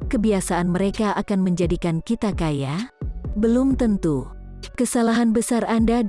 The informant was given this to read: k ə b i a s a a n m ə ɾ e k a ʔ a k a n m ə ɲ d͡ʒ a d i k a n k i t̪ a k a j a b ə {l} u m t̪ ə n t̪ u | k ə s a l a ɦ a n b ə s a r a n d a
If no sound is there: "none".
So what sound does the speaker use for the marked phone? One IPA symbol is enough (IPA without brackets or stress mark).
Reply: l